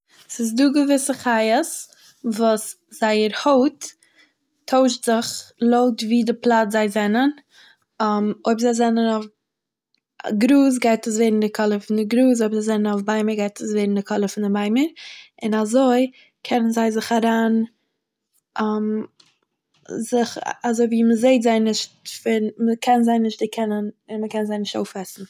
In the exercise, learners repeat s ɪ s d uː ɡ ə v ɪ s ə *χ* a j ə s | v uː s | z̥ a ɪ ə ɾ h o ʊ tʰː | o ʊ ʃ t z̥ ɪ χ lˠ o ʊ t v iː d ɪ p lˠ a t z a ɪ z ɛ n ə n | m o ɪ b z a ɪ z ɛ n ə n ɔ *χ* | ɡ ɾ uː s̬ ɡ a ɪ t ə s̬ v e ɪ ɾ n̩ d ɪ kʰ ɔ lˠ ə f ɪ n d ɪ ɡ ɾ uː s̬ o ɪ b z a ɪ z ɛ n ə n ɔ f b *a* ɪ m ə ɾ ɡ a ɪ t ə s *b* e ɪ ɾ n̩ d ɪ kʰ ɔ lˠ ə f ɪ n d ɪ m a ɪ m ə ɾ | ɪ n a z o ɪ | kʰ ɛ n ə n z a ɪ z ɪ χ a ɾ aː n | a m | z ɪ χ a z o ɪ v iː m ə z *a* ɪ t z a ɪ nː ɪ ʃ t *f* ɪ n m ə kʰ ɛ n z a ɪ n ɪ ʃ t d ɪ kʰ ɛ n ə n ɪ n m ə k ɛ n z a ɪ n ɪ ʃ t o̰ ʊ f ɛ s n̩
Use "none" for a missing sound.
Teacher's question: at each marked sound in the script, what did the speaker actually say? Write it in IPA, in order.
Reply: χ, f, a, v, e, f

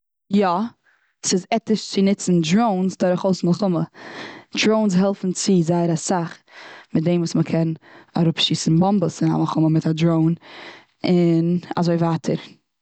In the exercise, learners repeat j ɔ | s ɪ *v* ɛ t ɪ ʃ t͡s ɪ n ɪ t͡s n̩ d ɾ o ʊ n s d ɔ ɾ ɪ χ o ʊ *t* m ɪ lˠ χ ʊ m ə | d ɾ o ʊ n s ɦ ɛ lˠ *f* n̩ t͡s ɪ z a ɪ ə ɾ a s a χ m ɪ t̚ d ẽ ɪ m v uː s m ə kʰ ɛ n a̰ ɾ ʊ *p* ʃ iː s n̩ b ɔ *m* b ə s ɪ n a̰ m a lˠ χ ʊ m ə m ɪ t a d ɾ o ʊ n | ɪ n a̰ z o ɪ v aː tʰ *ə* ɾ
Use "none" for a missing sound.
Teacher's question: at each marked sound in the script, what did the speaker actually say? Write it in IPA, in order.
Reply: z, s, f, p, m, ə

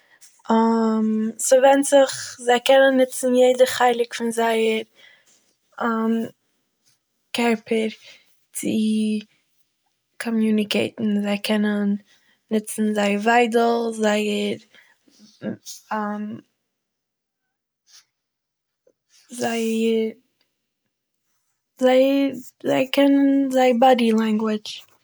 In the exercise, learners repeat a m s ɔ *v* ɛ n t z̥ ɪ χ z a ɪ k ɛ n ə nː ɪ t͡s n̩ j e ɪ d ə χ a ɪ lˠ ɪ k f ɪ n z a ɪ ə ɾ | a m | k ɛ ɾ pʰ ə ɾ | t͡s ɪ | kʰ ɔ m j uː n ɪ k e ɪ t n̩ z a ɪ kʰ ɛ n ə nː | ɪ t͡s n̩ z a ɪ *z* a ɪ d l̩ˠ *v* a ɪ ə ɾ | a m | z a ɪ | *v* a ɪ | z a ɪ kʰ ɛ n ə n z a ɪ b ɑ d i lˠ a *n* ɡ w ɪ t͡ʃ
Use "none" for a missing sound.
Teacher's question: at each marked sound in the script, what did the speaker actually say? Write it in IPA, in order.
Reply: v, v, z, z, ŋ

